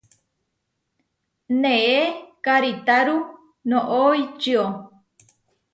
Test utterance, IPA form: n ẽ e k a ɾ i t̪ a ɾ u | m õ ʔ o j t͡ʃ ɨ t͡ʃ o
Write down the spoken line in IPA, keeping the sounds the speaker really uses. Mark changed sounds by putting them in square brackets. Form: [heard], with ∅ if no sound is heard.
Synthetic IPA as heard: n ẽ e k a ɾ i t̪ a ɾ u | [n] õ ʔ o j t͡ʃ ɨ [∅] o